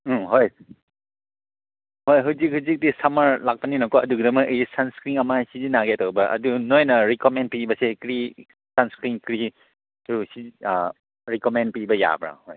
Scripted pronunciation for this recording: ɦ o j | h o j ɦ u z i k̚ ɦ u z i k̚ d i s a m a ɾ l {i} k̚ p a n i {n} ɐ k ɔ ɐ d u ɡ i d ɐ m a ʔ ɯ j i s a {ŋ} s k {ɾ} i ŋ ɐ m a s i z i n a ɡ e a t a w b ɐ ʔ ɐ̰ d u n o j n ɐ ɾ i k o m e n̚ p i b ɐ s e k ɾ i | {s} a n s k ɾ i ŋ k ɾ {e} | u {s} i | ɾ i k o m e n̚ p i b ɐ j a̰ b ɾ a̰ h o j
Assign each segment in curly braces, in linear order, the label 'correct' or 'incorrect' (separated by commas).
incorrect, correct, incorrect, correct, correct, incorrect, correct